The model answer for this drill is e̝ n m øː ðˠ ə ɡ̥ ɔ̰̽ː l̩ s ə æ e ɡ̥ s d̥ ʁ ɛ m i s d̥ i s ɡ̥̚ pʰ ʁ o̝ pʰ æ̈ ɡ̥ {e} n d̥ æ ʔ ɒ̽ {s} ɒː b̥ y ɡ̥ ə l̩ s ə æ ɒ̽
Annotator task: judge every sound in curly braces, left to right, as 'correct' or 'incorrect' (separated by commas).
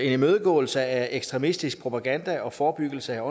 incorrect, incorrect